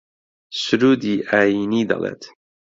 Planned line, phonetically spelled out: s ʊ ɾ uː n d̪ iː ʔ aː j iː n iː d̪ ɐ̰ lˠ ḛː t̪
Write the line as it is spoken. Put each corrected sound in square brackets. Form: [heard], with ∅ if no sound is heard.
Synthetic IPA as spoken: s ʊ ɾ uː [∅] d̪ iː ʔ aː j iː n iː d̪ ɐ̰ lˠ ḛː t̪